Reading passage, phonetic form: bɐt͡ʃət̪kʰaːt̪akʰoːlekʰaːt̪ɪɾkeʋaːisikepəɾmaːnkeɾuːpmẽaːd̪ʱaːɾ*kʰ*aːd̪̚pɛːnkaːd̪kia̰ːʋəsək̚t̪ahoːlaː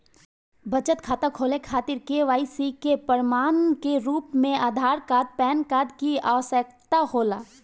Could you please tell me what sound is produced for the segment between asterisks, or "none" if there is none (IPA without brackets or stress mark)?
k